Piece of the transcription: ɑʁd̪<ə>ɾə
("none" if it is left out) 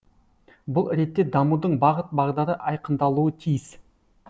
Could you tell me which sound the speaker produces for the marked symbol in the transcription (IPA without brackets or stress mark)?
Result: ɑ